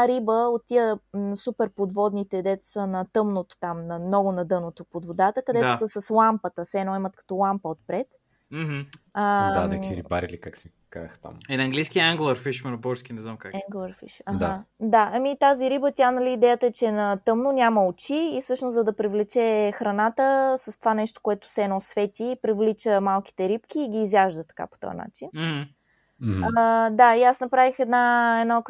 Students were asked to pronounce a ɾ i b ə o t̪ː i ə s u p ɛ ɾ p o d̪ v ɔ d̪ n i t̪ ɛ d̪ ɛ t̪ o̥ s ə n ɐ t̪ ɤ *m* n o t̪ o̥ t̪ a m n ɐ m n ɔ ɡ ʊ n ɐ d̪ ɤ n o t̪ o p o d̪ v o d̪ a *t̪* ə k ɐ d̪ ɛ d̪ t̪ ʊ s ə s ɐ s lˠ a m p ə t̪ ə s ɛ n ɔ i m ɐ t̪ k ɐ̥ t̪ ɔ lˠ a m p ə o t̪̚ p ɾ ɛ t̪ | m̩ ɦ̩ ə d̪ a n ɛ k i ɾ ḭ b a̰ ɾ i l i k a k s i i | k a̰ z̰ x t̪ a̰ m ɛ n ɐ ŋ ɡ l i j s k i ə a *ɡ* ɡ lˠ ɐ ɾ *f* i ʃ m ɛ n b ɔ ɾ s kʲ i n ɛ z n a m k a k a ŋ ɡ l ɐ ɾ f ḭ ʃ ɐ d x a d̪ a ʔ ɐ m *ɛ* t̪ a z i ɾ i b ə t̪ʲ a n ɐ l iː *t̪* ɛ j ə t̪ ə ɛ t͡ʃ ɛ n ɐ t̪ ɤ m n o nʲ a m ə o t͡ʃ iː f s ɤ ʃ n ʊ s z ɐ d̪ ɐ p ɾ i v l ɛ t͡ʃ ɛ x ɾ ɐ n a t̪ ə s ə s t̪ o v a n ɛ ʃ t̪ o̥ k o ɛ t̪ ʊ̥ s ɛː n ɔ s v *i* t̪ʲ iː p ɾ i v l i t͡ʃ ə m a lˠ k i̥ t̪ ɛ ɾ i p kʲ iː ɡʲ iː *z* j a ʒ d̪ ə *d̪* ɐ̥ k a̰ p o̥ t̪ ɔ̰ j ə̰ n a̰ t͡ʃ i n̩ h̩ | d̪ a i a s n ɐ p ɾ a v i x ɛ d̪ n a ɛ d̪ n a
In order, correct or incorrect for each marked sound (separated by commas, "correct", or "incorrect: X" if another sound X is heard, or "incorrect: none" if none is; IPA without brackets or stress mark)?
correct, correct, incorrect: ŋ, correct, incorrect: i, incorrect: d̪, incorrect: ɛ, correct, incorrect: t̪